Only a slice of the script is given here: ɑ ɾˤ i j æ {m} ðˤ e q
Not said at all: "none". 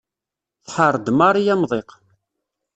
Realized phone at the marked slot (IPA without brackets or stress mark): m